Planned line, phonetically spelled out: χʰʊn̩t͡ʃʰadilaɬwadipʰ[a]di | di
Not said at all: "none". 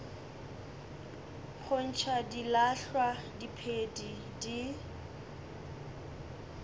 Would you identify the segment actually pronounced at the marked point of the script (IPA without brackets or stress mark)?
e